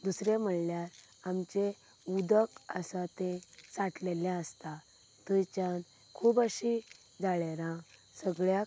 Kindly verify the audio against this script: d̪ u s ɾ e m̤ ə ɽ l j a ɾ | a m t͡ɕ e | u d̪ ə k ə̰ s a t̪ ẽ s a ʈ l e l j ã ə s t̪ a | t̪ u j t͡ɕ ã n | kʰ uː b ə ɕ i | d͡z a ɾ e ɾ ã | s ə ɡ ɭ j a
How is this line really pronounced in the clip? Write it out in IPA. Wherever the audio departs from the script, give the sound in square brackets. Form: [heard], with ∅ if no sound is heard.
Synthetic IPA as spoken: d̪ u s ɾ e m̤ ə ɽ l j a ɾ | a m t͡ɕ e | u d̪ ə k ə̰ s a t̪ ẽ s a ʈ l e l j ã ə s t̪ a | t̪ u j t͡ɕ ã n | kʰ uː b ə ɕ i | d͡z a [ɭ] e ɾ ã | s ə ɡ ɭ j a